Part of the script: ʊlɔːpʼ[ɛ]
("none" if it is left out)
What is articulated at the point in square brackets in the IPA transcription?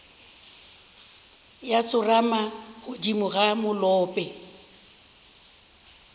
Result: ɛ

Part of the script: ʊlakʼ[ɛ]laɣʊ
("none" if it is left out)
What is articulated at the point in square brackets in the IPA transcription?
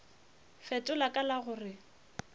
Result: a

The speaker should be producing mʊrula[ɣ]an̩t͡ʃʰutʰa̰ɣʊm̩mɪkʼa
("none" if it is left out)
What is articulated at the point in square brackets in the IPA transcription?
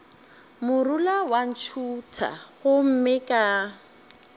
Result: w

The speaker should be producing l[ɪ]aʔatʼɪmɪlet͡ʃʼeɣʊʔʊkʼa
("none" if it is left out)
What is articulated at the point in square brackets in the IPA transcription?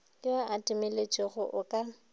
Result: ɪ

